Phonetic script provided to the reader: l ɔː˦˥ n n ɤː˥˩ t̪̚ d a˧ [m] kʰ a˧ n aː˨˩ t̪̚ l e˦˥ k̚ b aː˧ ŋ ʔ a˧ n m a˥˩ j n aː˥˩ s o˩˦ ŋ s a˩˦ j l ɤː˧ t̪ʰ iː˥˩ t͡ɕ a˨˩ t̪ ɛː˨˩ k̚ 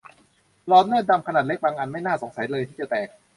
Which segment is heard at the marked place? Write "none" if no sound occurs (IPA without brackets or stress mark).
m